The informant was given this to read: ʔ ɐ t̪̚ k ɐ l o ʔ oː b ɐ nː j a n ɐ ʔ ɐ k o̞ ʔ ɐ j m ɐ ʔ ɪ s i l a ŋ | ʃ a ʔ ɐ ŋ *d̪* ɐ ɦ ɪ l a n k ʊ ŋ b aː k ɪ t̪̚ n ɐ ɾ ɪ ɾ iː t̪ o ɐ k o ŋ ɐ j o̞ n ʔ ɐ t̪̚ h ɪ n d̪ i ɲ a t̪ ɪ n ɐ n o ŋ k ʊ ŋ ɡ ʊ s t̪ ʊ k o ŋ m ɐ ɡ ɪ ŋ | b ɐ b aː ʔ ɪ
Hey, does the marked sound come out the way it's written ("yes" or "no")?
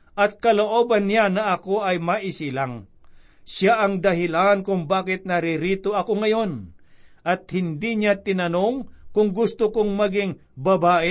yes